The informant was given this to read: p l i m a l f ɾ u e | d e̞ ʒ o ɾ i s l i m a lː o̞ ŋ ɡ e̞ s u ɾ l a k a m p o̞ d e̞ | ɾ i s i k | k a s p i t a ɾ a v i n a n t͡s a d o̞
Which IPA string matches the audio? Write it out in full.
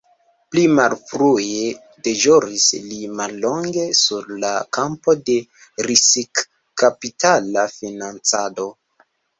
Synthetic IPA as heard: p l i m a l f ɾ u e | d e̞ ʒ o ɾ i s l i m a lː o̞ ŋ ɡ e̞ s u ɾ l a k a m p o̞ d e̞ | ɾ i s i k | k a p i t a l a f i n a n t͡s a d o̞